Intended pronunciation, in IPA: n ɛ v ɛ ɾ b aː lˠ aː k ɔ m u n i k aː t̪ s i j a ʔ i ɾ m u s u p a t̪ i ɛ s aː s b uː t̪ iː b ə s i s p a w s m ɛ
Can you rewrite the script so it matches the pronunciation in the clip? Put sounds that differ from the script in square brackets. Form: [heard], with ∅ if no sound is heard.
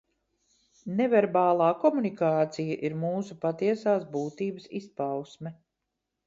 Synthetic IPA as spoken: n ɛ v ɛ ɾ b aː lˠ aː k ɔ m u n i k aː t̪ s i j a ʔ i ɾ m [uː] s u p a t̪ i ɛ s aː s b uː t̪ iː b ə s i s p a w s m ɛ